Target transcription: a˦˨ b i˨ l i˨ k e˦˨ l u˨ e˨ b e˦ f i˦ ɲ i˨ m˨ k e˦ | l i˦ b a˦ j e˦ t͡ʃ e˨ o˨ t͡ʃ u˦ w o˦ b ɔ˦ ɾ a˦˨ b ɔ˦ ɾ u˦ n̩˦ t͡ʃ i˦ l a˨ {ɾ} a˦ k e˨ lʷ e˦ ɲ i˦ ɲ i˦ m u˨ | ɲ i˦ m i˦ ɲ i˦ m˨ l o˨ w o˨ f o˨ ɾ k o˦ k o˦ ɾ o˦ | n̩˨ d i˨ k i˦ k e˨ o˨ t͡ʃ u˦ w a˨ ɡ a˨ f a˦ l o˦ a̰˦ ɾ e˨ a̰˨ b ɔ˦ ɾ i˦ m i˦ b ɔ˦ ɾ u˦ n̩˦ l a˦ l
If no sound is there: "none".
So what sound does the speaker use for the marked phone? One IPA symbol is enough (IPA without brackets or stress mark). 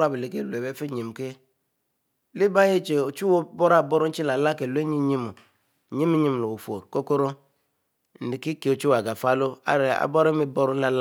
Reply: l